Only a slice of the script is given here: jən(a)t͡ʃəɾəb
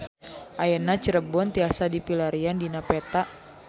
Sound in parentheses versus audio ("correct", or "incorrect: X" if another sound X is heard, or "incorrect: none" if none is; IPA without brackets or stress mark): correct